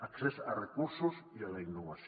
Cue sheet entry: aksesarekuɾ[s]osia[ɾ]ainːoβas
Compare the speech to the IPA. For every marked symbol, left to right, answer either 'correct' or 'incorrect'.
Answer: correct, incorrect

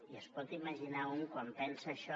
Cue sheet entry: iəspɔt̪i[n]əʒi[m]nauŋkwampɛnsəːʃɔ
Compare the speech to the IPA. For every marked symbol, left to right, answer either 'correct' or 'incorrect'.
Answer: incorrect, incorrect

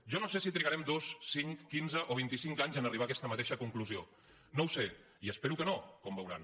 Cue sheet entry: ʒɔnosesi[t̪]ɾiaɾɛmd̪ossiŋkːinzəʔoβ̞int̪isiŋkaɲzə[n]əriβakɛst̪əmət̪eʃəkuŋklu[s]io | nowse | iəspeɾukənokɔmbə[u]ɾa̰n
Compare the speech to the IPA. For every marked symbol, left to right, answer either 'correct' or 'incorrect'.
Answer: correct, correct, incorrect, incorrect

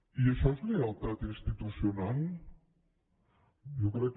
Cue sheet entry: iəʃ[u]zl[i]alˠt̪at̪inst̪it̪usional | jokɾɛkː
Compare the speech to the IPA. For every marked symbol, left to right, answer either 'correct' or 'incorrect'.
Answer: incorrect, incorrect

